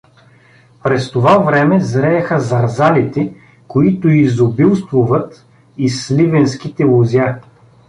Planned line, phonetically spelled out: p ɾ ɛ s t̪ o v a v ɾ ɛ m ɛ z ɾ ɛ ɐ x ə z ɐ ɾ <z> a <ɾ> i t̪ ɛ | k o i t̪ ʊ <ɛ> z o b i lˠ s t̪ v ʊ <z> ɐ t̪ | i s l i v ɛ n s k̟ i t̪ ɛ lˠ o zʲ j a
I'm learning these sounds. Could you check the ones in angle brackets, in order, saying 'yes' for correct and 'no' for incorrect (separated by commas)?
yes, no, no, no